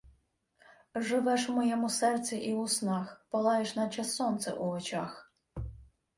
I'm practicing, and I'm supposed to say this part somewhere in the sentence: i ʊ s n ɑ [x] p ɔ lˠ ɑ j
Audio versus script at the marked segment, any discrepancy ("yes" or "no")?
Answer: no